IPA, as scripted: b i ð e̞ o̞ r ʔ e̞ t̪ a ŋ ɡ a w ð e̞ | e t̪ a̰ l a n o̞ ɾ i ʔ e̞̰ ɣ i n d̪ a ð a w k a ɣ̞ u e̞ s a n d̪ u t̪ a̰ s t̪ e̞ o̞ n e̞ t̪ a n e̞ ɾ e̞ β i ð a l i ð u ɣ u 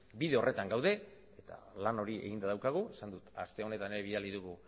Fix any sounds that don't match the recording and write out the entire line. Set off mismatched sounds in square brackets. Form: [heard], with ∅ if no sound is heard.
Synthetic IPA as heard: b i ð e̞ o̞ r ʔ e̞ t̪ a ŋ ɡ a w ð e̞ | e t̪ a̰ l a n o̞ ɾ i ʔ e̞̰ ɣ i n d̪ a ð a w k a ɣ̞ u e̞ s a n d̪ u t̪ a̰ s t̪ e̞ o̞ n e̞ t̪ a n e̞ ɾ e̞ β i ð a l i ð u ɣ u